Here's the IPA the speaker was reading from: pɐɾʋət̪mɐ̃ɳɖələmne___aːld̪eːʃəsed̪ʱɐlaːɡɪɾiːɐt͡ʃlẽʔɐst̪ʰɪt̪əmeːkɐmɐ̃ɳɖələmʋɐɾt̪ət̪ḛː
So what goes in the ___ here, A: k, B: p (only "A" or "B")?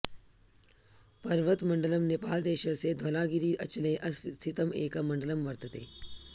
B